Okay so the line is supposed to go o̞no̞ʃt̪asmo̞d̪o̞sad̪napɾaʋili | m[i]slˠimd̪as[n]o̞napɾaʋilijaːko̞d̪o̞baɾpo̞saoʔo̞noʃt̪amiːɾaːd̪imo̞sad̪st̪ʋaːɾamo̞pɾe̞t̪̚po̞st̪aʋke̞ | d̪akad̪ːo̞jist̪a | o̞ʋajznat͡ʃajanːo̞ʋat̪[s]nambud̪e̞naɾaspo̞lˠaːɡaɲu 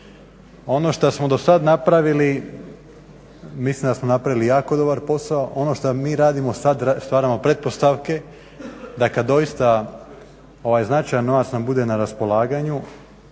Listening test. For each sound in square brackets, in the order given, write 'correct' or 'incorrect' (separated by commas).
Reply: correct, incorrect, correct